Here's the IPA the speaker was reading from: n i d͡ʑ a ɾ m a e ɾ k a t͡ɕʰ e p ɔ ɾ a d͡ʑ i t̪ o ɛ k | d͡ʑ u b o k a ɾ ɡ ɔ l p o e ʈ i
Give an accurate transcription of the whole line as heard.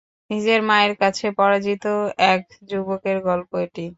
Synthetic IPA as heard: n i d͡ʑ e ɾ m a e ɾ k a t͡ɕʰ e p ɔ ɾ a d͡ʑ i t̪ o ɛ k | d͡ʑ u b o k e ɾ ɡ ɔ l p o e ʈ i